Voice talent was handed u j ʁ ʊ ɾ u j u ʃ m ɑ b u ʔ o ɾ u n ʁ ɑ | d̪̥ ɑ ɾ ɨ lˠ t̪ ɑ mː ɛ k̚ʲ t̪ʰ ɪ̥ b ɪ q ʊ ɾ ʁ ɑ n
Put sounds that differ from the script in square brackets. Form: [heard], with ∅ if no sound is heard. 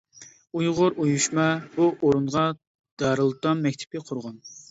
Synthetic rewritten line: u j ʁ ʊ ɾ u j u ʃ m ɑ b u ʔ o ɾ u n ʁ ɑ | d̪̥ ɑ ɾ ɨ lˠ t̪ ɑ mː ɛ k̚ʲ t̪ʰ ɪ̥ [p] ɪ [qʰ] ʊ ɾ ʁ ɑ n